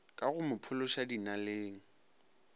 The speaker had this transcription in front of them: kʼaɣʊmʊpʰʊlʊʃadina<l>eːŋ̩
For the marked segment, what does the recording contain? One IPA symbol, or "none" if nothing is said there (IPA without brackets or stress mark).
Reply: l